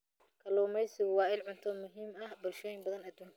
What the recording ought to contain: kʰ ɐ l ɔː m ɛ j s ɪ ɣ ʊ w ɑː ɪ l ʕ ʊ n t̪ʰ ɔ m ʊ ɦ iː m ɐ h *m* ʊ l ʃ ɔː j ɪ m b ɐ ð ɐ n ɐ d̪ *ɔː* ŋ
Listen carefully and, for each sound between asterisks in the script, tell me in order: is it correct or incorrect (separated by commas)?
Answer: incorrect, incorrect